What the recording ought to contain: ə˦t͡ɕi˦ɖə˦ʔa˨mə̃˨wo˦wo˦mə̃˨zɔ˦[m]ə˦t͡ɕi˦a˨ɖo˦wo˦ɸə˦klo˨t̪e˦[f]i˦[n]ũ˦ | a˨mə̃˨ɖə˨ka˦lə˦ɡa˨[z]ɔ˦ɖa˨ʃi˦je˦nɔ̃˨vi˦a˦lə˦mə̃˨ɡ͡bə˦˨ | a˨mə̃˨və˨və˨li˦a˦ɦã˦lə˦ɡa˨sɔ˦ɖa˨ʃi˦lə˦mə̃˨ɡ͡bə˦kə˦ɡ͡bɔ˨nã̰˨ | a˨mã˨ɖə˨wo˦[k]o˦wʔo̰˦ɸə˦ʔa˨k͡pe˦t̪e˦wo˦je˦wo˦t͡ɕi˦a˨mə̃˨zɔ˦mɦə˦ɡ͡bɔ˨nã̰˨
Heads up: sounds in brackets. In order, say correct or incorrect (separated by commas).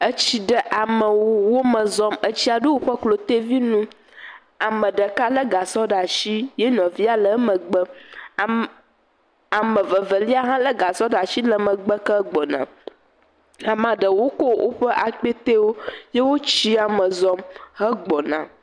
correct, incorrect, correct, incorrect, correct